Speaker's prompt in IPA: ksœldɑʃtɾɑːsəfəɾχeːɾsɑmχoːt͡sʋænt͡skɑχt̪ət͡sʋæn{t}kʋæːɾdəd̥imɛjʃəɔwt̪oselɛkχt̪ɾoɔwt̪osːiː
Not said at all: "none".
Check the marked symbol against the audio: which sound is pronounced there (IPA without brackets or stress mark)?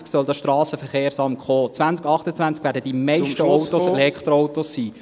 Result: t͡s